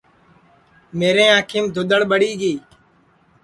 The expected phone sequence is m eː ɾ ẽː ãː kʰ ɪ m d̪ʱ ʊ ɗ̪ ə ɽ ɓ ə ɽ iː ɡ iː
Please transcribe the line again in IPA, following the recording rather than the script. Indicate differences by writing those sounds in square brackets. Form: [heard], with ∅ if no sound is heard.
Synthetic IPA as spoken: m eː ɾ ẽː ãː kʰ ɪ m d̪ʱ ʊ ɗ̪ ə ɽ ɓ ə ɽ iː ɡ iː